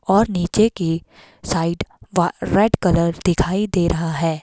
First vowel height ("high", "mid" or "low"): mid